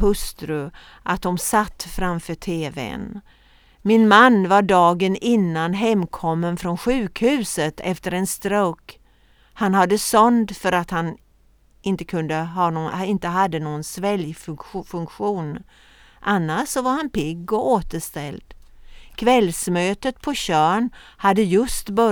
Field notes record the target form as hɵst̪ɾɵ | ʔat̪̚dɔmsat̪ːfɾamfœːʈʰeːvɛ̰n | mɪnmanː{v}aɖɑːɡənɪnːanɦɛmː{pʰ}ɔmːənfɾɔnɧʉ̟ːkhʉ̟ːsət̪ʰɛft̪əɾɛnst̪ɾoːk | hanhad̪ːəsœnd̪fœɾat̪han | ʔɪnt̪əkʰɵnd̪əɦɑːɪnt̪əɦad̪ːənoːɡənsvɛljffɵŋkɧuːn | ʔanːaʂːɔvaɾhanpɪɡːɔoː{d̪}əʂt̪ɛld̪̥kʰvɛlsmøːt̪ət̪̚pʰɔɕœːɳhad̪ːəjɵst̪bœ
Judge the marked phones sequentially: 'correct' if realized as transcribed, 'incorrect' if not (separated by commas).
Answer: correct, incorrect, incorrect